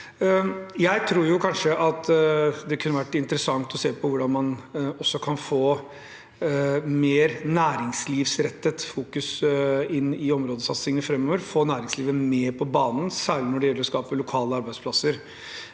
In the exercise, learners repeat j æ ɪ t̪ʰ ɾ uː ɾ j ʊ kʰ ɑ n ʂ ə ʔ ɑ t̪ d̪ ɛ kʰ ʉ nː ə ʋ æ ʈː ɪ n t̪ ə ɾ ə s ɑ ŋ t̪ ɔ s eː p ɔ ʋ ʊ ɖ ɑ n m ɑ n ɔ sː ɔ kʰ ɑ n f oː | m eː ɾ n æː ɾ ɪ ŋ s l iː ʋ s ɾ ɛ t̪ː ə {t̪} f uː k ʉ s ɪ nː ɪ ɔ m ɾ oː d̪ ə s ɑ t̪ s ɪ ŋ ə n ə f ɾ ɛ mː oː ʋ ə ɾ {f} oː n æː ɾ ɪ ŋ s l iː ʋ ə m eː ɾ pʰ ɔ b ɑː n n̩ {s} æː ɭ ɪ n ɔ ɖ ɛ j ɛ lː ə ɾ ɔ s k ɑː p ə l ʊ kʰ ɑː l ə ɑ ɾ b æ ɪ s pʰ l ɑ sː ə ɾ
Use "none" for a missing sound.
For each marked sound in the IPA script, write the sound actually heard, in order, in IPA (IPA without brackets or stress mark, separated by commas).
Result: t̪, f, s